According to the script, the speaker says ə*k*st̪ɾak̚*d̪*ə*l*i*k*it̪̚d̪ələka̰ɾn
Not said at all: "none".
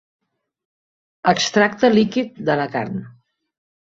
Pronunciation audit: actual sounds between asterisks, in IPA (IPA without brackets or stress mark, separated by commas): k, t̪, l, k